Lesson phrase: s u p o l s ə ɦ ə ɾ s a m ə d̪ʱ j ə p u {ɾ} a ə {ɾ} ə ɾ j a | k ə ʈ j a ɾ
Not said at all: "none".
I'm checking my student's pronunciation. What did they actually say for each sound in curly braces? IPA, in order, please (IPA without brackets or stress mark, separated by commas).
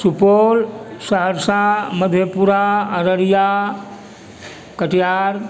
ɾ, ɾ